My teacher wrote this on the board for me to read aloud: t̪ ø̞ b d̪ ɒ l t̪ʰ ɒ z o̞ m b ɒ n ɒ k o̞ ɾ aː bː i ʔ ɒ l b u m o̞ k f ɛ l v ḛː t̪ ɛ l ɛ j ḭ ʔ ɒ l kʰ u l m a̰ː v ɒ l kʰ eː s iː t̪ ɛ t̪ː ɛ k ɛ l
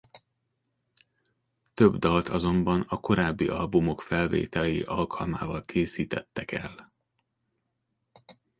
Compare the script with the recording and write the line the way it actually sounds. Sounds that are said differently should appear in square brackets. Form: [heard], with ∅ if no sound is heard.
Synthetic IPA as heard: t̪ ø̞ b d̪ ɒ l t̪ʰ ɒ z o̞ m b ɒ n ɒ k o̞ ɾ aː bː i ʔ ɒ l b u m o̞ k f ɛ l v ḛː t̪ ɛ l ɛ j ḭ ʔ ɒ l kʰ [ɒ] l m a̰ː v ɒ l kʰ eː s iː t̪ ɛ t̪ː ɛ k ɛ l